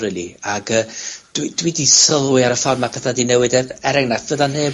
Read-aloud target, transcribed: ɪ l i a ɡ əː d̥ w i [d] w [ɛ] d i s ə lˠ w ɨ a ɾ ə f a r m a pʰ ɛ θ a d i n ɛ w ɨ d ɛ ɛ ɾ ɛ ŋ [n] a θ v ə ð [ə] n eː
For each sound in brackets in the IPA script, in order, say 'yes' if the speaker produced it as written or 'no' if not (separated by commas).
yes, no, yes, no